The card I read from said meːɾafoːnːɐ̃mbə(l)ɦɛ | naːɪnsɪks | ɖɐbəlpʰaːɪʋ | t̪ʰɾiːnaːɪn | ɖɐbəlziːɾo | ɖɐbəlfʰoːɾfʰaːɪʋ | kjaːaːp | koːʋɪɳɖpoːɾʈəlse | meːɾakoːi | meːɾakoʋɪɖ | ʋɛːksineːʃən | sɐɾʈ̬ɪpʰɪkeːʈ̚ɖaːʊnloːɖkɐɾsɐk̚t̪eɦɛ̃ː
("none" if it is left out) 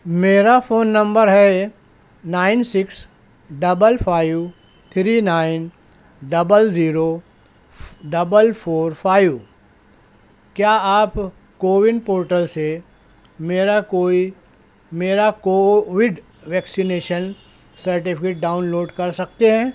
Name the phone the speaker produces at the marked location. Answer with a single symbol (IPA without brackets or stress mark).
ɾ